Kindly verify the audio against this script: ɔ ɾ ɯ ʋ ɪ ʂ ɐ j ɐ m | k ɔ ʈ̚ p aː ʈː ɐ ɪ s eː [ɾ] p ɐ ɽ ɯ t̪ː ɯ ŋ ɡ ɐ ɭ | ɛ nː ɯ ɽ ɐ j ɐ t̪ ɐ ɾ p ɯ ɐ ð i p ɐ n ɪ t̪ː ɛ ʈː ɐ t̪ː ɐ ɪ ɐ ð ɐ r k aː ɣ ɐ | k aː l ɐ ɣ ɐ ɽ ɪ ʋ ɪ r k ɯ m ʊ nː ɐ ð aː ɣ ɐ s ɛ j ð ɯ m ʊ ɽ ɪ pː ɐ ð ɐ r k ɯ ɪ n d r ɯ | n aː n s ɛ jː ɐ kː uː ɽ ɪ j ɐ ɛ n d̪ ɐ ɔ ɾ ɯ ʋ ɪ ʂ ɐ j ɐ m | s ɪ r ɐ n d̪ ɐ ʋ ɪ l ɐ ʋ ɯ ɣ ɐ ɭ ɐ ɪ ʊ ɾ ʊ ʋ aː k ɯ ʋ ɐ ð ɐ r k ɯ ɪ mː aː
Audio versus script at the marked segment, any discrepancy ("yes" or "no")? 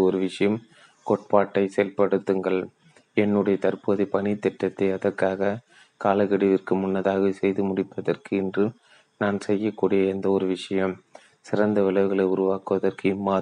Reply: yes